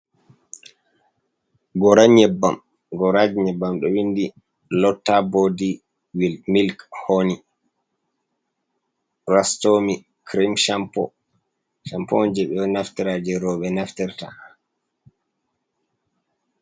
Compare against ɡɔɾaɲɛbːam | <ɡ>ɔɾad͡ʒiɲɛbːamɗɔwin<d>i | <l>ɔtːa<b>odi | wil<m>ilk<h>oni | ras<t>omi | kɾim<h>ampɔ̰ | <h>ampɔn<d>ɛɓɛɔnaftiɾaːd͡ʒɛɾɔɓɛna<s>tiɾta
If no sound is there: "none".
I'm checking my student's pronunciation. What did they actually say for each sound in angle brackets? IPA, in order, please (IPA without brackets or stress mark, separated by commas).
ɡ, d, l, b, m, h, t, ʃ, ʃ, d͡ʒ, f